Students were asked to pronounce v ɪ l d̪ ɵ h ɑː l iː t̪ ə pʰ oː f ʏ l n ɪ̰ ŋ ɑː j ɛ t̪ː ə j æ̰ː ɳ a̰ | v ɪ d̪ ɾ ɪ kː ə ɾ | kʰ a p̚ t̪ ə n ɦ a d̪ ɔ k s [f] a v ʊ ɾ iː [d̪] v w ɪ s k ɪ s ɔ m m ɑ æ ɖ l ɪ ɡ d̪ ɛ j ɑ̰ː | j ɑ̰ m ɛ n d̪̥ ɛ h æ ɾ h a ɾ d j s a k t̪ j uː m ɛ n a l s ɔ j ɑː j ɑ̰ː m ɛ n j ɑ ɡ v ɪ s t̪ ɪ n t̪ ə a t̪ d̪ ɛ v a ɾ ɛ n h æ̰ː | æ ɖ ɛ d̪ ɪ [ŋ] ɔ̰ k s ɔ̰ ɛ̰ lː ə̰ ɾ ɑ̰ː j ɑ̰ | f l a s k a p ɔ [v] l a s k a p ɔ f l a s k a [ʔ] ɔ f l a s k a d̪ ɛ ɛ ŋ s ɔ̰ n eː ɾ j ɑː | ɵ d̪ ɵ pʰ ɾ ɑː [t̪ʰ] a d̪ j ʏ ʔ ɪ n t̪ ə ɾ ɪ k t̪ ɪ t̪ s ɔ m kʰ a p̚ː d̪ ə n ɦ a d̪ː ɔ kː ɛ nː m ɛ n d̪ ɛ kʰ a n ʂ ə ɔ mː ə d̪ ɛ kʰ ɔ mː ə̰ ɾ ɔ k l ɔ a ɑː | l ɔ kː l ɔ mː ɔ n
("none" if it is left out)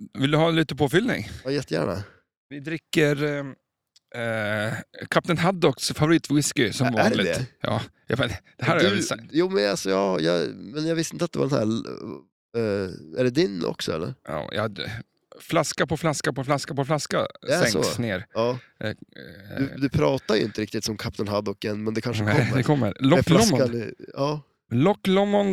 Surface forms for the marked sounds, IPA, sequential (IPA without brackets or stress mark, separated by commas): f, t̪, n, f, p, t̪